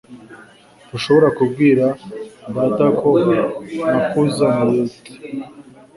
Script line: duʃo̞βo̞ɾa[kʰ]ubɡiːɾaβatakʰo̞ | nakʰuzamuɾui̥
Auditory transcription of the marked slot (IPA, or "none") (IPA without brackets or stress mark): k